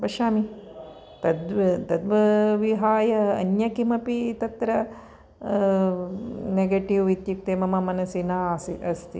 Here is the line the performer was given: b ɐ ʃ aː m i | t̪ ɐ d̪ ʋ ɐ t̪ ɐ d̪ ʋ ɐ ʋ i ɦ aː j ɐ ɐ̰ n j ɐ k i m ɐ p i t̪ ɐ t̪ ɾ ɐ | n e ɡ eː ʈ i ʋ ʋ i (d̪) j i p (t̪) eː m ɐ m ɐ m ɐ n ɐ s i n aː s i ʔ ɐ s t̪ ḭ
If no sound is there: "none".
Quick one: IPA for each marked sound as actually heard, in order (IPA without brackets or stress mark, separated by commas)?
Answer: t̪, t̪